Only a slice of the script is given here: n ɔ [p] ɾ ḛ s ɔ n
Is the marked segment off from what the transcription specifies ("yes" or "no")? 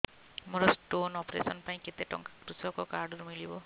no